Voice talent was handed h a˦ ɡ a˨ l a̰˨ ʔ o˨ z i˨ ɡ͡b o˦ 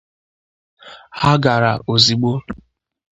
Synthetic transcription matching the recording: h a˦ ɡ a˨ ɾ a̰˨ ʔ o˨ z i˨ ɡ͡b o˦